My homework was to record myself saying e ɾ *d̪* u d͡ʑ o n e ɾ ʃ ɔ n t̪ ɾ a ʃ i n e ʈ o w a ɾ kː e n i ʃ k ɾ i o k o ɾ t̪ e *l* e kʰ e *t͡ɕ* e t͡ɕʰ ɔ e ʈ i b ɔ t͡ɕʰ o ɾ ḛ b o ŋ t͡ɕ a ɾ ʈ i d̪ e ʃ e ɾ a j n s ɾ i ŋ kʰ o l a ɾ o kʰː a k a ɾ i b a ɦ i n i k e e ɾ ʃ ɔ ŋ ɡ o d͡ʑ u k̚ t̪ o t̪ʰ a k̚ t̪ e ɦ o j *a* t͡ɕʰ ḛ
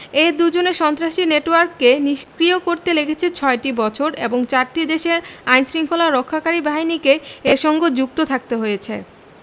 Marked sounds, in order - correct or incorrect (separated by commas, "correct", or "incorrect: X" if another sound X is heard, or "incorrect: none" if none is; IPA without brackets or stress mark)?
correct, correct, incorrect: t͡ɕʰ, incorrect: e